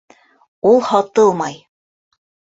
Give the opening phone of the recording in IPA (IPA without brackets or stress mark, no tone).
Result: u